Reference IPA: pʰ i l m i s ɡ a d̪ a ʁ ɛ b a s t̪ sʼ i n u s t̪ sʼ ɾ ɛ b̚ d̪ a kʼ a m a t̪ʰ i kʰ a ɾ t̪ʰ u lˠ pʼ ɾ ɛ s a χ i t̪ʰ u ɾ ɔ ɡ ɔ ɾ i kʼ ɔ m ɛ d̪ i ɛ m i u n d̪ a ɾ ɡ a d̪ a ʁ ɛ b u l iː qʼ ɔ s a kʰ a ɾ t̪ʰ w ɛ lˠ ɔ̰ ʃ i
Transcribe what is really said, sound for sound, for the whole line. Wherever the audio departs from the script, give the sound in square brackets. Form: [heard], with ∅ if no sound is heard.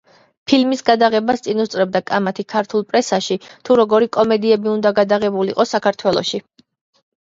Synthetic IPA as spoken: pʰ i l m i s ɡ a d̪ a ʁ ɛ b a s t̪ sʼ i n u s t̪ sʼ ɾ ɛ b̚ d̪ a kʼ a m a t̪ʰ i kʰ a ɾ t̪ʰ u lˠ pʼ ɾ ɛ s a [ʃ] i t̪ʰ u ɾ ɔ ɡ ɔ ɾ i kʼ ɔ m ɛ d̪ i ɛ [b] i u n d̪ a [∅] ɡ a d̪ a ʁ ɛ b u l [i] qʼ ɔ s a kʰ a ɾ t̪ʰ w ɛ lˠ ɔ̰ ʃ i

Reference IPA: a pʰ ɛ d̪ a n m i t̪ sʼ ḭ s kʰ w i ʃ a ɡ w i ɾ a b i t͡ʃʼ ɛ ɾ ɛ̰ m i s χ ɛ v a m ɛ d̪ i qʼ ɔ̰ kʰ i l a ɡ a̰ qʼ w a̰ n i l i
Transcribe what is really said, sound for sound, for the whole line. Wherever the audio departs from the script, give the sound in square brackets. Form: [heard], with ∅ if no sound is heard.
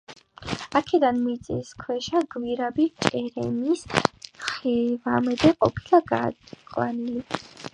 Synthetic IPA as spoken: a [kʰ] ɛ d̪ a n m i t̪ sʼ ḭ s kʰ w [ɛ] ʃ a ɡ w i ɾ a b i t͡ʃʼ ɛ ɾ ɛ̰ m i s χ ɛ v a m ɛ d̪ [ɛ] qʼ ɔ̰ [pʰ] i l a ɡ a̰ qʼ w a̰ n i l i

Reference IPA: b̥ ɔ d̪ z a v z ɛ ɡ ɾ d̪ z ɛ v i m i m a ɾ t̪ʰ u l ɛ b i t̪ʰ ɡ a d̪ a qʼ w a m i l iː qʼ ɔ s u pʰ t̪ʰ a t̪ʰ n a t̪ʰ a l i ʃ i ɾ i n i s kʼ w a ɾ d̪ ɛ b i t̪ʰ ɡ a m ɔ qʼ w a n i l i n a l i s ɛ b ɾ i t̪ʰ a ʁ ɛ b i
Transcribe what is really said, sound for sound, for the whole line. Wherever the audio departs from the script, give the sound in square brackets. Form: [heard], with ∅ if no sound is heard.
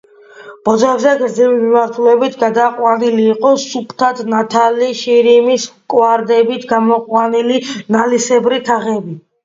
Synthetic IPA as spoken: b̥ ɔ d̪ z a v z ɛ ɡ ɾ d̪ z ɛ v i m i m a ɾ t̪ʰ u l ɛ b i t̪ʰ ɡ a d̪ a qʼ w a [n] i l iː qʼ ɔ s u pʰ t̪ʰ a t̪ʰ n a t̪ʰ a l i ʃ i ɾ i [m] i s kʼ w a ɾ d̪ ɛ b i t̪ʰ ɡ a m ɔ qʼ w a n i l i n a l i s ɛ b ɾ i t̪ʰ a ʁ ɛ b i

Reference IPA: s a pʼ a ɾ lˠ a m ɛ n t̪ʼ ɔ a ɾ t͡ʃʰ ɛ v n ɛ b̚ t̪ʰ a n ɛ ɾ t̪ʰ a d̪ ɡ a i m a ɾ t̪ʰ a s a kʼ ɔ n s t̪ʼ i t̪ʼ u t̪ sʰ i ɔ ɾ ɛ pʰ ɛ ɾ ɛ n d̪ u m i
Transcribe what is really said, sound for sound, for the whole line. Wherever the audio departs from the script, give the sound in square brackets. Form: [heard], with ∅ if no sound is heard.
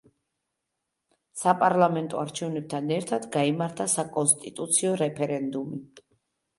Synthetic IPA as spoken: s a pʼ a ɾ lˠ a m ɛ n t̪ʼ ɔ a ɾ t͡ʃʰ ɛ v n ɛ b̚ t̪ʰ a n ɛ ɾ t̪ʰ a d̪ ɡ a i m a ɾ t̪ʰ a s a kʼ ɔ n s t̪ʼ i t̪ʼ u t̪ sʰ i ɔ ɾ ɛ pʰ ɛ ɾ ɛ n d̪ u m i

